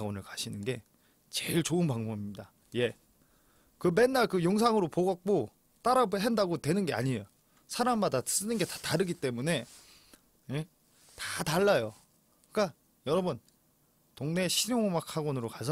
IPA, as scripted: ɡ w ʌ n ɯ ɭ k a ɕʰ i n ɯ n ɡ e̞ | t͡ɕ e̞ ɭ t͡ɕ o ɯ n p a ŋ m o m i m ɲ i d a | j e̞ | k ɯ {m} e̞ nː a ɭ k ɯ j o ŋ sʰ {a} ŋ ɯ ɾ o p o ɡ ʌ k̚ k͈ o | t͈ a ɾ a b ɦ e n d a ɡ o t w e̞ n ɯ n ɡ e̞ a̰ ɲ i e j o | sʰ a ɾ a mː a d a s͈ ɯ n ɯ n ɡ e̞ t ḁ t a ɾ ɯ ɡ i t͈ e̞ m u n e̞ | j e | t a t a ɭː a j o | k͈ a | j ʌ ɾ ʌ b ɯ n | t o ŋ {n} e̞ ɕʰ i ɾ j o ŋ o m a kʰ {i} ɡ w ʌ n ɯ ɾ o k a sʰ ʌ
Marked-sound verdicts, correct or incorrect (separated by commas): correct, correct, correct, incorrect